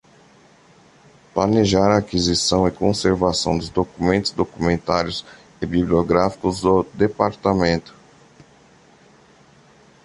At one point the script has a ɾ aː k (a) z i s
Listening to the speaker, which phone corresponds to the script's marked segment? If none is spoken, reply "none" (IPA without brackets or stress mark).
i